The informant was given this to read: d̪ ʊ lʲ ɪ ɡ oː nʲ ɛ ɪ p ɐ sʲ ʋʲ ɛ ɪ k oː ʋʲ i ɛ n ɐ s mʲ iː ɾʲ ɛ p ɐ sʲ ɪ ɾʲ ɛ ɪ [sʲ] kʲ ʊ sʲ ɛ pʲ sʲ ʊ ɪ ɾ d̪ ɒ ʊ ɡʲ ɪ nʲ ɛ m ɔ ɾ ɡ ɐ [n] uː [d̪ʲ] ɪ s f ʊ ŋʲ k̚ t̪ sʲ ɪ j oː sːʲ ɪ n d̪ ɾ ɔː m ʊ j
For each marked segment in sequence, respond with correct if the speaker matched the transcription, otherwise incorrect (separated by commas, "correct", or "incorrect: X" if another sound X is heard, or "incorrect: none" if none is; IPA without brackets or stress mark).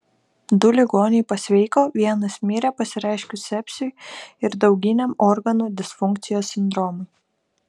incorrect: ʃʲ, correct, correct